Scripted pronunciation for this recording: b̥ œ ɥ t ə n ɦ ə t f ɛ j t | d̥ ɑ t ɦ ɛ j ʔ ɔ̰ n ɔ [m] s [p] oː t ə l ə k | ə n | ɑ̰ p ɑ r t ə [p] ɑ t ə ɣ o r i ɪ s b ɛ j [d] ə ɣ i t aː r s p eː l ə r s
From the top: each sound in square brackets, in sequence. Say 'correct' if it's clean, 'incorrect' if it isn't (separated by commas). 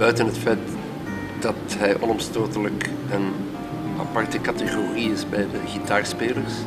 correct, incorrect, incorrect, correct